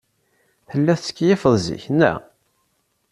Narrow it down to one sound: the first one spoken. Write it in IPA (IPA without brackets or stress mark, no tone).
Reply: θ